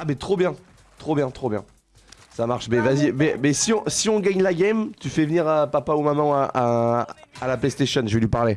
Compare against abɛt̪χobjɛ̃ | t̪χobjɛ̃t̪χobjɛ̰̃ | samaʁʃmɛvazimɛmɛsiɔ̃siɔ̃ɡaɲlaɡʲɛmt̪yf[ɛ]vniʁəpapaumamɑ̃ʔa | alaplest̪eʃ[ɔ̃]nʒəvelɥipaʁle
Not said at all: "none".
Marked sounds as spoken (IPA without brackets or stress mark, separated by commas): ɛ, ɔ